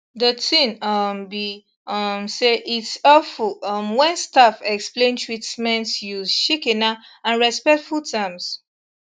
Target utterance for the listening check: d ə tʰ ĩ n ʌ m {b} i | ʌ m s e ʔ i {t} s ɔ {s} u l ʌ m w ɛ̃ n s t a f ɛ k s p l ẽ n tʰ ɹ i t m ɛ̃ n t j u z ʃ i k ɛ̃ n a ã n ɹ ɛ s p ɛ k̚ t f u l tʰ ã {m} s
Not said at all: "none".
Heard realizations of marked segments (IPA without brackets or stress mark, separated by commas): b, t, f, m